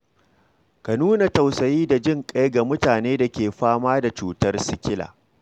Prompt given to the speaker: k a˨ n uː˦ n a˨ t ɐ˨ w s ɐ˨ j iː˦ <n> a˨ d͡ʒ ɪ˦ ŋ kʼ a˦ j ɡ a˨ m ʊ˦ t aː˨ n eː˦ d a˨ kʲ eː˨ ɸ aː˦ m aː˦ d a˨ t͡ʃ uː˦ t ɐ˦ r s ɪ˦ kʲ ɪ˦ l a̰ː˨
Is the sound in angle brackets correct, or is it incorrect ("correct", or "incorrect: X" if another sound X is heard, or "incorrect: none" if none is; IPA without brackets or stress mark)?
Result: incorrect: d